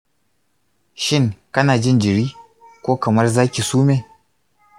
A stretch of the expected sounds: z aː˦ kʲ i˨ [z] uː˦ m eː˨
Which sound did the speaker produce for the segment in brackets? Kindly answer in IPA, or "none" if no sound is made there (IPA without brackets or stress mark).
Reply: s